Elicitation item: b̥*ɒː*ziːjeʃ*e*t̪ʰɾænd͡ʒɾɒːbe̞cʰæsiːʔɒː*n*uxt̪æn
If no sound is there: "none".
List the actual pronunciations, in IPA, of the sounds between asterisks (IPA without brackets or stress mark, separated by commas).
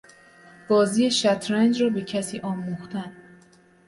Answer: ɒː, æ, m